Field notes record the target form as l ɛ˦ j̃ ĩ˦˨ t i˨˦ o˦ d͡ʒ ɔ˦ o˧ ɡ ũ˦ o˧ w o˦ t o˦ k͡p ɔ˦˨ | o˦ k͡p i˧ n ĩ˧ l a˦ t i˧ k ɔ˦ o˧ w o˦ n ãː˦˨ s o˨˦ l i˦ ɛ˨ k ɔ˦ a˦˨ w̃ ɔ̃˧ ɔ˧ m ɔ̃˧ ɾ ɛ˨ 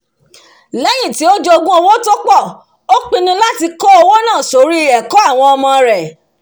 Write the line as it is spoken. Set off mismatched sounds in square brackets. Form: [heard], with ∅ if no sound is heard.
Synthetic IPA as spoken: l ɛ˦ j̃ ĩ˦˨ t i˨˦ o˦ d͡ʒ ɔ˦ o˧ ɡ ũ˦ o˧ w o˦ t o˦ k͡p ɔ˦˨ | o˦ k͡p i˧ n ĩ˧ l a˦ t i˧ k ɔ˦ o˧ w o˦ n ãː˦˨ s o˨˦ [ɾ] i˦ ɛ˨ k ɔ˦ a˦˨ w̃ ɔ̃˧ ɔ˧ m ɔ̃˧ ɾ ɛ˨

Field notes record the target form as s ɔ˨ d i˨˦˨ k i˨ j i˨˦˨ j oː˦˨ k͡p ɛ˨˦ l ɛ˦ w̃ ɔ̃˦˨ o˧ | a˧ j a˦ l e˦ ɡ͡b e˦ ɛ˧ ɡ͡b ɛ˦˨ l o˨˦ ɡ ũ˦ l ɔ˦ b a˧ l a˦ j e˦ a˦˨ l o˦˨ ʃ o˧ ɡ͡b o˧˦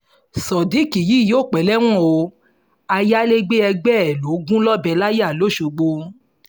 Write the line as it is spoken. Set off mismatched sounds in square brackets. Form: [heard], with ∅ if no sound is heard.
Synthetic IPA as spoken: s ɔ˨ d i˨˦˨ k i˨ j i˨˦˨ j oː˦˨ k͡p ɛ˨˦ l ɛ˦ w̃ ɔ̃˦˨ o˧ | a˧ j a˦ l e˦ ɡ͡b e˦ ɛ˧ ɡ͡b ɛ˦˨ l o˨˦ ɡ ũ˦ l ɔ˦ b [ɛ˧] l a˦ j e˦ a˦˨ l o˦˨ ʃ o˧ ɡ͡b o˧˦

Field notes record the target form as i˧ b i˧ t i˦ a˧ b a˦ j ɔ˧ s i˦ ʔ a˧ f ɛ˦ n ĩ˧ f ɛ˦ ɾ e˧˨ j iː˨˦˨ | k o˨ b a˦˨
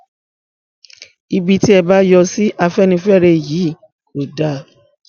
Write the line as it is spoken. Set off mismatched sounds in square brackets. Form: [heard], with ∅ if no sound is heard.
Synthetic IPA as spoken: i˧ b i˧ t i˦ [ɛ˧] b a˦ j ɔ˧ s i˦ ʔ a˧ f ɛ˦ n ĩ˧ f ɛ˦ ɾ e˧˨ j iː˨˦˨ | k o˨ [d] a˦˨

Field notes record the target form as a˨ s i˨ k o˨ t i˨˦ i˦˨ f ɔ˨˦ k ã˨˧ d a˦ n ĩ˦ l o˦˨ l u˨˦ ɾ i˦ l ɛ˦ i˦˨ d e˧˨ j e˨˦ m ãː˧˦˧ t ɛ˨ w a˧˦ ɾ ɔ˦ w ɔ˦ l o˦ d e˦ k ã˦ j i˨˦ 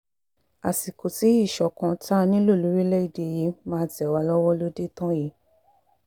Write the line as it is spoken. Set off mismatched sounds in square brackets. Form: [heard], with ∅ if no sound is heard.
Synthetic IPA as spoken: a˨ s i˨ k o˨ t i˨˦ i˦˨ [ʃ] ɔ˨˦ k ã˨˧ [t] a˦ n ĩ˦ l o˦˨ l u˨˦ ɾ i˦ l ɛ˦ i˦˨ d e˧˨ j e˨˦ m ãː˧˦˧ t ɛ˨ w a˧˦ [l] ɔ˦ w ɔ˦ l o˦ d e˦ [t] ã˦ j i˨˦

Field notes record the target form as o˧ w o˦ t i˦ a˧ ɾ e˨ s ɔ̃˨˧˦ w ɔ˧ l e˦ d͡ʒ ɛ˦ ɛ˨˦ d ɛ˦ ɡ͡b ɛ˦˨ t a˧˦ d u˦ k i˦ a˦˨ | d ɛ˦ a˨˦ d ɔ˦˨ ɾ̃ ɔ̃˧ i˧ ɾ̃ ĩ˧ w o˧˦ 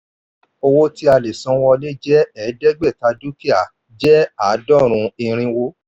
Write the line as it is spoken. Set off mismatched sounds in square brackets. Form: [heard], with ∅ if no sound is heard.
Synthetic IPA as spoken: o˧ w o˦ t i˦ a˧ [l] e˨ s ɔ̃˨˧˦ w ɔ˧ l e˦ d͡ʒ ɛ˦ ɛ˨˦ d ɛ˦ ɡ͡b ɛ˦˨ t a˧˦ d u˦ k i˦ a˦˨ | [d͡ʒ] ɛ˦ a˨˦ d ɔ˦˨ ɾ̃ [ũ˧] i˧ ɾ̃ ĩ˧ w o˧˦

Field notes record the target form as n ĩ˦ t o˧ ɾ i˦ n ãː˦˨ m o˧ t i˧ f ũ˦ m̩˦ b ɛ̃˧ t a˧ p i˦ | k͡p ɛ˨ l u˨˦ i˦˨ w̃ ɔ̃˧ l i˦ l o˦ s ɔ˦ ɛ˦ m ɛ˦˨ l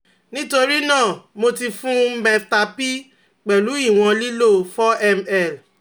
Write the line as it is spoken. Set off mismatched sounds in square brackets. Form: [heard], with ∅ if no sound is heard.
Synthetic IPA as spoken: n ĩ˦ t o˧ ɾ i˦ n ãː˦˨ m o˧ t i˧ f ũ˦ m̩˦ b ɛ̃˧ t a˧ p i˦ | k͡p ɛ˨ l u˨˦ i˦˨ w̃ ɔ̃˧ l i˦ l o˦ [f] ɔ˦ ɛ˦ m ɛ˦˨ l

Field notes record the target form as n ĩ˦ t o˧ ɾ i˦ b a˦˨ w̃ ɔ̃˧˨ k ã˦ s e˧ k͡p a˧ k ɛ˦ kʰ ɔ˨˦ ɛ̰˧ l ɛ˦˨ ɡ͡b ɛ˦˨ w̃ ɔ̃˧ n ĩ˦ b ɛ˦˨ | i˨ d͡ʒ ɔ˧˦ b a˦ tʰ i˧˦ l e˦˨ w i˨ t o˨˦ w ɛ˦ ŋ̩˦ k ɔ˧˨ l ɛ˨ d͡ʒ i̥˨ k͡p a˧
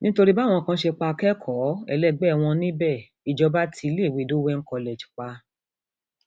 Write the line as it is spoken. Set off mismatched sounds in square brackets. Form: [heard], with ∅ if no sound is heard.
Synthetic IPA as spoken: n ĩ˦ t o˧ ɾ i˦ b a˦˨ w̃ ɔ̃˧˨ k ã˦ [ʃ] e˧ k͡p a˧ k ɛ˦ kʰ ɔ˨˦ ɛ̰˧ l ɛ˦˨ ɡ͡b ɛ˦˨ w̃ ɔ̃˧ n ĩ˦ b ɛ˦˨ | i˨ d͡ʒ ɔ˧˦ b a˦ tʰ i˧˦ l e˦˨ w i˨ [d] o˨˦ w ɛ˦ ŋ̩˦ k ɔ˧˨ l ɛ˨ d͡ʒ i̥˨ k͡p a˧

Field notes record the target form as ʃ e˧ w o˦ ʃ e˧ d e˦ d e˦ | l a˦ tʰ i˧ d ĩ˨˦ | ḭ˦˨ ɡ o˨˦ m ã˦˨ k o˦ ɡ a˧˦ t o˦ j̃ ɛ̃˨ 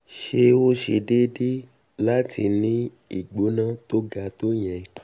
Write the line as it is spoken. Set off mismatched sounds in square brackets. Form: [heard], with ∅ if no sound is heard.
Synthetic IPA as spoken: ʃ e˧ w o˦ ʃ e˧ d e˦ d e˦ | l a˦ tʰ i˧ [n] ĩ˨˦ | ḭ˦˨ [ɡ͡b] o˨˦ [n] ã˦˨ [t] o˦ ɡ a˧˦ t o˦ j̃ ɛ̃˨

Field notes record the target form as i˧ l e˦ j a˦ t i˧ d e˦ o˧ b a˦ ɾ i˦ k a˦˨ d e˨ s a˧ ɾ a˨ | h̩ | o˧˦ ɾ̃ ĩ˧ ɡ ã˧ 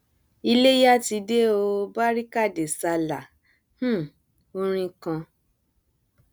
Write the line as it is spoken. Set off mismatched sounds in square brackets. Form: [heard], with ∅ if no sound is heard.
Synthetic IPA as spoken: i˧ l e˦ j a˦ t i˧ d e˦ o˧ b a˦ ɾ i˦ k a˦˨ d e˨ s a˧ [l] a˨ | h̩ | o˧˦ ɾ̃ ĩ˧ [k] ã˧

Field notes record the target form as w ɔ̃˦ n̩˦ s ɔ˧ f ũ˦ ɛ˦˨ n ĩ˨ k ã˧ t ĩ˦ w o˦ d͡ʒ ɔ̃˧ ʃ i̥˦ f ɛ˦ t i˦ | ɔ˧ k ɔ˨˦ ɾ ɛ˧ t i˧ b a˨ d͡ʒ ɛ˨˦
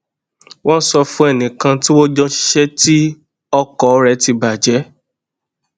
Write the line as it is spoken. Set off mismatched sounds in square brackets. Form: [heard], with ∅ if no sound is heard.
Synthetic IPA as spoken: w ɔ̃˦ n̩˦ s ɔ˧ f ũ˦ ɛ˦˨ n ĩ˨ k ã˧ t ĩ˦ w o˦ d͡ʒ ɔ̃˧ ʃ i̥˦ [ʃ] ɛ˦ t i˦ | ɔ˧ k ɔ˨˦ ɾ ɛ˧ t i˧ b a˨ d͡ʒ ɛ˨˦

